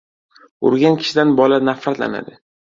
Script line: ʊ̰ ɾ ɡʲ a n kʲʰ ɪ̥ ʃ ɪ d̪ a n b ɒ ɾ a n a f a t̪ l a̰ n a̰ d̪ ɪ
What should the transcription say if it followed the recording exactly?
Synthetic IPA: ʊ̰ ɾ ɡʲ a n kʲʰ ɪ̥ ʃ ɪ d̪ a n b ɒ l a n a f a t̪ l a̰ n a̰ d̪ ɪ